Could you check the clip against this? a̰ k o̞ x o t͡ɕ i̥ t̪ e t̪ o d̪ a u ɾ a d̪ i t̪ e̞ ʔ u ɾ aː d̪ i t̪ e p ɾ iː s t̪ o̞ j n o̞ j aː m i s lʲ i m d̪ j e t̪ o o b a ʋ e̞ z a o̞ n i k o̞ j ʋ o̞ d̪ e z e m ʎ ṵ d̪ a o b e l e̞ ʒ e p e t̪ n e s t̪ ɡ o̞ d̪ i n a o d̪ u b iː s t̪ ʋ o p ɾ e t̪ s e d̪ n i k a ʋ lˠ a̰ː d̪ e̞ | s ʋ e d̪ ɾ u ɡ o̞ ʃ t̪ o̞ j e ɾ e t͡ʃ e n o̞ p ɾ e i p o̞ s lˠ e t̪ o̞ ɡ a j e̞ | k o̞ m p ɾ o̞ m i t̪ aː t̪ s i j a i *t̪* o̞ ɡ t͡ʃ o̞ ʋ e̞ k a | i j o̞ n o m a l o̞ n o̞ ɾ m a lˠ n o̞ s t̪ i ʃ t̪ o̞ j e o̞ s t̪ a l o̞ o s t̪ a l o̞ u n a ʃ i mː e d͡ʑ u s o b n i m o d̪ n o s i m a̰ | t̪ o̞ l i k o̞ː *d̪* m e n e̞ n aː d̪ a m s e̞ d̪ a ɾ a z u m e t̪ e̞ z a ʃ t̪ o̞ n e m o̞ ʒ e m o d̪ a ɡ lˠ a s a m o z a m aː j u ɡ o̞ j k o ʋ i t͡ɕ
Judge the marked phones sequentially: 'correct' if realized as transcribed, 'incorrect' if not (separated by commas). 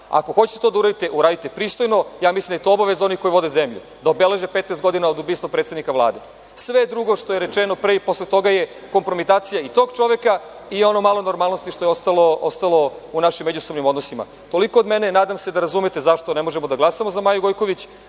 correct, correct